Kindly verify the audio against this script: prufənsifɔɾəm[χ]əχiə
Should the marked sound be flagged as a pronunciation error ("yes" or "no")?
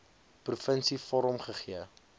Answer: no